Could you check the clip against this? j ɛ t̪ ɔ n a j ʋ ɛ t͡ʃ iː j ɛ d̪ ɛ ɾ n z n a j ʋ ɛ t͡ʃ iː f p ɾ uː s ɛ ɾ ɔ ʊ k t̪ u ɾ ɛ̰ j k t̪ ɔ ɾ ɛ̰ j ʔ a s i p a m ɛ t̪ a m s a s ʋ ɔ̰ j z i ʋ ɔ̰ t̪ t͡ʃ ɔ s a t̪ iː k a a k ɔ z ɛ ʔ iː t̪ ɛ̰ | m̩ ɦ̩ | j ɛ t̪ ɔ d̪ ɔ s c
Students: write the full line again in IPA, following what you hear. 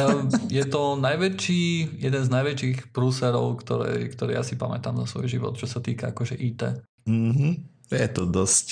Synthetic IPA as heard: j ɛ t̪ ɔ n a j ʋ ɛ t͡ʃ iː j ɛ d̪ ɛ n z n a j ʋ ɛ t͡ʃ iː x p ɾ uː s ɛ ɾ ɔ ʊ k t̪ ɔ ɾ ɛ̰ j k t̪ ɔ ɾ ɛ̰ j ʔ a s i p a m ɛ t̪ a m z a s ʋ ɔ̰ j ʒ i ʋ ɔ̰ t̪ t͡ʃ ɔ s a t̪ iː k a a k ɔ ʒ ɛ ʔ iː t̪ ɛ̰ | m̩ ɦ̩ | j ɛ t̪ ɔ d̪ ɔ s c